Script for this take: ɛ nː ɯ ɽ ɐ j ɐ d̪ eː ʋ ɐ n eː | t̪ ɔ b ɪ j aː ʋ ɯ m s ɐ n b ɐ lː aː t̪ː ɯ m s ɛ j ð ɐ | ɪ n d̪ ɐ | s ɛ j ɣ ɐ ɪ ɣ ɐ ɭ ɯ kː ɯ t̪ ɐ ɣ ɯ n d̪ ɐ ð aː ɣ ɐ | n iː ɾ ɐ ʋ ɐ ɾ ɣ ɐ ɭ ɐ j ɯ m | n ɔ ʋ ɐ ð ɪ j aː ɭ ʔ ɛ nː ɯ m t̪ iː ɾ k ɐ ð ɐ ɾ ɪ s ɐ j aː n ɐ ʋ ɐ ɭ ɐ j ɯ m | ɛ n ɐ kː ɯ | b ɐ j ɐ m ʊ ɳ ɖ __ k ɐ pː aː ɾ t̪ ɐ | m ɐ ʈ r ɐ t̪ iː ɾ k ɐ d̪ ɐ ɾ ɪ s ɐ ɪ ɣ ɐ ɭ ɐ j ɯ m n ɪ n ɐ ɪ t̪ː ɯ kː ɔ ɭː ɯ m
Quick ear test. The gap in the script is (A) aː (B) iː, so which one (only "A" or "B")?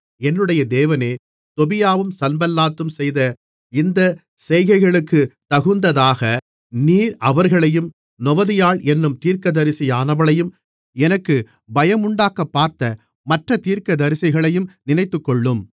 A